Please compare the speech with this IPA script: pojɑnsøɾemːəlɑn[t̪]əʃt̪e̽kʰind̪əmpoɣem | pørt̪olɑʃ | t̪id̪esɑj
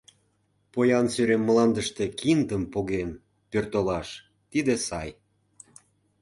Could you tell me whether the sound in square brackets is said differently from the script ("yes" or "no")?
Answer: yes